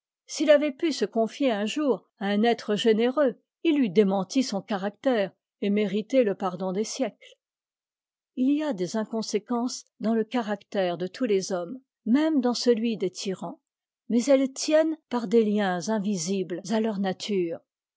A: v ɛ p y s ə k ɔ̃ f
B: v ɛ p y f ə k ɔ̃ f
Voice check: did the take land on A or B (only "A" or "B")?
A